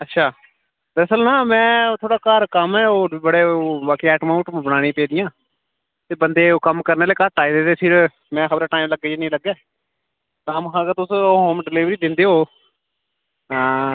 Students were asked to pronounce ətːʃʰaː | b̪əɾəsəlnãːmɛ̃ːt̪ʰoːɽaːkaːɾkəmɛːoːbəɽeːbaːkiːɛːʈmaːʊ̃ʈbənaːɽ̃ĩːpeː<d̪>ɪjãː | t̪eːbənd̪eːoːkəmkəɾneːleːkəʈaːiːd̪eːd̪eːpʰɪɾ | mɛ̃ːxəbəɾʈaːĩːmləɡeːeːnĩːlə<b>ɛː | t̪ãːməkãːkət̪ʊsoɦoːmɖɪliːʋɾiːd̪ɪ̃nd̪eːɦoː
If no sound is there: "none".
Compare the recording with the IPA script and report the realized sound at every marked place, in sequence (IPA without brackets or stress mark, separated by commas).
d̪, ɡ